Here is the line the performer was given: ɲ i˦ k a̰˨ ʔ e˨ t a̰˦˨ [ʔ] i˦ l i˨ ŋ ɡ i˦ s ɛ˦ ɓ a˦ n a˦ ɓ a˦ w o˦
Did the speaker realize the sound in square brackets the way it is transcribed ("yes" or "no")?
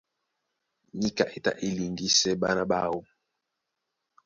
yes